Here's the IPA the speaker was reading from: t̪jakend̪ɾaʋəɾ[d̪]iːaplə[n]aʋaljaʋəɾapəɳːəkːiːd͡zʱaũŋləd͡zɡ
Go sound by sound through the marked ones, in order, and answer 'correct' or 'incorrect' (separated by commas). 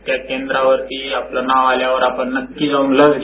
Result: incorrect, correct